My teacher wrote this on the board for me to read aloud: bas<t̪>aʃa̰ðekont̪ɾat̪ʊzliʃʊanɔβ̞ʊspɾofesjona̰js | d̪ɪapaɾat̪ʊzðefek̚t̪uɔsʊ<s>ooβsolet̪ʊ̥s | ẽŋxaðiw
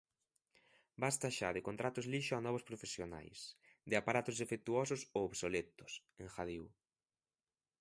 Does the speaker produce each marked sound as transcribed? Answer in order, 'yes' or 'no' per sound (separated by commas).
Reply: yes, yes